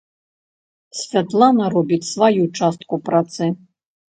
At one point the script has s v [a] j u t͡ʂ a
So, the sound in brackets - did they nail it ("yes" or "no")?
yes